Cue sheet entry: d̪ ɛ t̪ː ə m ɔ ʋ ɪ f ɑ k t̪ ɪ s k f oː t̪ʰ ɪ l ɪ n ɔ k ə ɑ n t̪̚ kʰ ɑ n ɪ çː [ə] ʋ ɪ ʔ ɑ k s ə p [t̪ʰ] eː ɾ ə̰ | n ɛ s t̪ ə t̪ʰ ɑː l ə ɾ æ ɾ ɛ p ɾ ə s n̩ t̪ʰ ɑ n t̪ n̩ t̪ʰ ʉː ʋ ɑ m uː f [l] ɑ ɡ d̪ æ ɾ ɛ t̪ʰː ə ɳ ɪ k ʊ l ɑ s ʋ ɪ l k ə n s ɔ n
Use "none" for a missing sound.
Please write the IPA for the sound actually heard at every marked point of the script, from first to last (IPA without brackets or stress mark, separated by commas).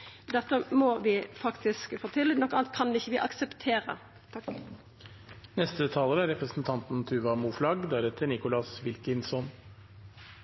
ə, t̪ʰ, l